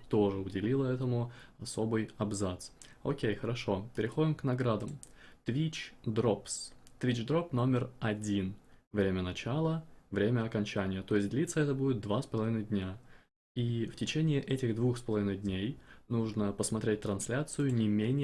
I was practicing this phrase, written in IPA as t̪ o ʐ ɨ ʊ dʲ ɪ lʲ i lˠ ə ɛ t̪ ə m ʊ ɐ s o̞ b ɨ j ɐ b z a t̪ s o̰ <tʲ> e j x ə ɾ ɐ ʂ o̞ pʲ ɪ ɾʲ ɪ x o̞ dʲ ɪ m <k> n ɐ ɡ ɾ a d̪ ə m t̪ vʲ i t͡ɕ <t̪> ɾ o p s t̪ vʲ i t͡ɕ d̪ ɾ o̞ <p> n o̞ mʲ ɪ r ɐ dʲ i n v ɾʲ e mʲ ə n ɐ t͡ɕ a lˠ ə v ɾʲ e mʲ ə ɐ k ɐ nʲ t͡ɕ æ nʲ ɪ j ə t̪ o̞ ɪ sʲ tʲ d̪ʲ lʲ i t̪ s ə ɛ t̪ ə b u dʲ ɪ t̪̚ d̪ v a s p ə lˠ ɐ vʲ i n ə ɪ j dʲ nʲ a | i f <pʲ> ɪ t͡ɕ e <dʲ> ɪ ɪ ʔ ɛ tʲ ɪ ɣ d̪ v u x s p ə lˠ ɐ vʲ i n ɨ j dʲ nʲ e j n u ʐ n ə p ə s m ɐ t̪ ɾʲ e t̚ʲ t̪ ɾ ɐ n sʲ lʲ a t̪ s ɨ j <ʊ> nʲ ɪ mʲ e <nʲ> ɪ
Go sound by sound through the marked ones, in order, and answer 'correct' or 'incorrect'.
incorrect: kʲ, correct, incorrect: d̪, correct, incorrect: tʲ, incorrect: nʲ, correct, correct

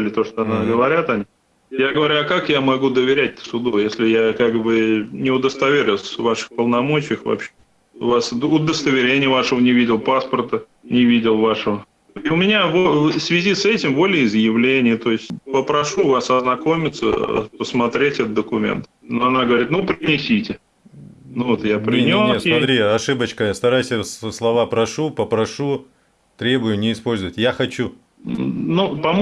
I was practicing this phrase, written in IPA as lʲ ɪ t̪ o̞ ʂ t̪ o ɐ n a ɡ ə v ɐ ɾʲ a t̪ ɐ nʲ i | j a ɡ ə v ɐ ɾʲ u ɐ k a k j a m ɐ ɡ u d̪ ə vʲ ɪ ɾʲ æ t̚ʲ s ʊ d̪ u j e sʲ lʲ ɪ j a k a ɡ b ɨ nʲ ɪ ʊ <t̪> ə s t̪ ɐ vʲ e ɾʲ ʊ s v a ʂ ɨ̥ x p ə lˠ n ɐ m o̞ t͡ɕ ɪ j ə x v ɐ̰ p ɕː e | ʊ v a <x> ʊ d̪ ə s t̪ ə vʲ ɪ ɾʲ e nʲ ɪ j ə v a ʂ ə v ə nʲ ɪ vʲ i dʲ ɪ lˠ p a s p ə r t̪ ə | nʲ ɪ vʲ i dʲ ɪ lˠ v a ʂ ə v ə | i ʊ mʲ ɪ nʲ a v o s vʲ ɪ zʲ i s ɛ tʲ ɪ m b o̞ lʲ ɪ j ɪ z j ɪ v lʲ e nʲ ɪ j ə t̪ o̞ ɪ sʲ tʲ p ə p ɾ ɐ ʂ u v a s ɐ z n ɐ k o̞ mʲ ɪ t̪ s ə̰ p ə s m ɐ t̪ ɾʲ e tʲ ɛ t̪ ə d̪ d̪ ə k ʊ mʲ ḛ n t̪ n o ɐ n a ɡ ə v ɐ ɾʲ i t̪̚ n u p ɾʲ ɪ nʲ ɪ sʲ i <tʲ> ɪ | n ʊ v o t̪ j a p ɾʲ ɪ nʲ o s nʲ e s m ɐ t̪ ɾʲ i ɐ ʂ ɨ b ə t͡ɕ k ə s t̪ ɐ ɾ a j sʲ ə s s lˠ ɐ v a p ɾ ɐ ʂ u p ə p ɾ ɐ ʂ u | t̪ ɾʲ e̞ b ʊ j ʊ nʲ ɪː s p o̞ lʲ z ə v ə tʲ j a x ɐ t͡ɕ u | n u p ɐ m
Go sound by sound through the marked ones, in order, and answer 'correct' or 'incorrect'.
incorrect: d̪, incorrect: s, correct

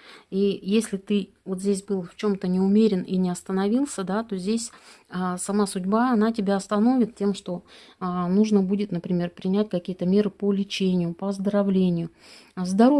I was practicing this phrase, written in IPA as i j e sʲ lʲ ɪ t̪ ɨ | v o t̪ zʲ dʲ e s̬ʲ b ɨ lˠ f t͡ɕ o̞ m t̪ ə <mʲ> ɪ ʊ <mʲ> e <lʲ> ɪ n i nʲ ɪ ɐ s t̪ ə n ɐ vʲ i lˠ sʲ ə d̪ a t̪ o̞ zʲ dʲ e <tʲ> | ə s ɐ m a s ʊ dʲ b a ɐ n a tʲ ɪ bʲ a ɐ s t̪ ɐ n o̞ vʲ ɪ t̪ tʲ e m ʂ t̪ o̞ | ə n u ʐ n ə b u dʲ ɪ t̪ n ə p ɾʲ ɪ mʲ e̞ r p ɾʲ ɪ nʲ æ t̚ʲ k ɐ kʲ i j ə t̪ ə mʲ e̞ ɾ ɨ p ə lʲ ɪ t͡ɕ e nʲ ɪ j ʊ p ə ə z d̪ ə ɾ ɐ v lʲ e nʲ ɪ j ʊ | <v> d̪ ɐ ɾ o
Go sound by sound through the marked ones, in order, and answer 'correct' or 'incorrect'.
incorrect: nʲ, correct, incorrect: ɾʲ, incorrect: sʲ, incorrect: z

